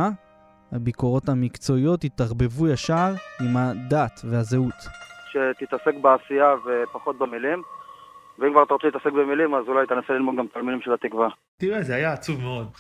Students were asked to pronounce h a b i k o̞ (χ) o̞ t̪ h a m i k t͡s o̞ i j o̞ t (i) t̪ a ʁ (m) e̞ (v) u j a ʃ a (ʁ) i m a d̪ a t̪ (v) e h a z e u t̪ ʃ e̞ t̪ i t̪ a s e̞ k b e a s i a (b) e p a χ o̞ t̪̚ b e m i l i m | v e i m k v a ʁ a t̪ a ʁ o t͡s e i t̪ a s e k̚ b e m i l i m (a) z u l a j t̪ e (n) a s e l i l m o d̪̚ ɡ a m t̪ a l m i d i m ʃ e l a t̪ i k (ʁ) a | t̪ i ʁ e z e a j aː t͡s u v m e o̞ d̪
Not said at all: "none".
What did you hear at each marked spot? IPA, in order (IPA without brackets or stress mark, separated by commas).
ʁ, i, b, v, ʁ, v, v, a, n, v